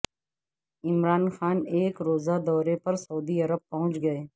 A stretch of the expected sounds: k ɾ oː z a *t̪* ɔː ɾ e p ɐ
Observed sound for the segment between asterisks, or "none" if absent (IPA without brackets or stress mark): d̪